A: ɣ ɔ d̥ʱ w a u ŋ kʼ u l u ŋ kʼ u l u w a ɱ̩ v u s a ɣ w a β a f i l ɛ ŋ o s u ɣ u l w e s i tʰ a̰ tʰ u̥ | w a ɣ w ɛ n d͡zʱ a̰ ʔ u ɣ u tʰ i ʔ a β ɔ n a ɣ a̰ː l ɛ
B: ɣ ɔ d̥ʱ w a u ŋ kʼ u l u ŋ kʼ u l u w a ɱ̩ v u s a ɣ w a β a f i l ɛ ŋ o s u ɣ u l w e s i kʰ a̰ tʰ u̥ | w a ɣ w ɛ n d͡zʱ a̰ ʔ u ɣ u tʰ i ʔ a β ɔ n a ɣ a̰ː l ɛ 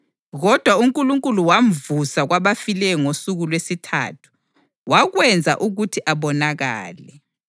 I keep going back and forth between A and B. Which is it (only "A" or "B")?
A